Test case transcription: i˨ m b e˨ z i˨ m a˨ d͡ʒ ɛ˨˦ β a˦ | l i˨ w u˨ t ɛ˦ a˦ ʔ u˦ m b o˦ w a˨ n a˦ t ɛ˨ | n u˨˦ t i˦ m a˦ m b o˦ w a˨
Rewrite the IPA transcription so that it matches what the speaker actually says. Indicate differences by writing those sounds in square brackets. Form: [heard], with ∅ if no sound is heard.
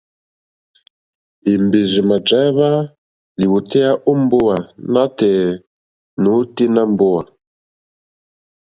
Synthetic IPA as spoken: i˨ m b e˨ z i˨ m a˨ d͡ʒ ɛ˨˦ β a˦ | l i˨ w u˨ t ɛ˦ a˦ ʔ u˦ m b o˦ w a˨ n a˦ t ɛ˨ | n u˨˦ t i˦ [n] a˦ m b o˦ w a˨

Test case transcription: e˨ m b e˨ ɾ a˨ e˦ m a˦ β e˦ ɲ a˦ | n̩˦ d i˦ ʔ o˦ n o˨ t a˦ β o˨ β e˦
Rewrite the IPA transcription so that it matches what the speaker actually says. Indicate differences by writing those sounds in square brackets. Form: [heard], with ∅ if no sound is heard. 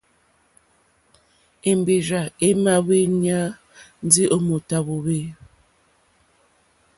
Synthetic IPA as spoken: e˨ m b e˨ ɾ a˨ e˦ m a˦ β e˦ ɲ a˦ | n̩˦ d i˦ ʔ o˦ [m] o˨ t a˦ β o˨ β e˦

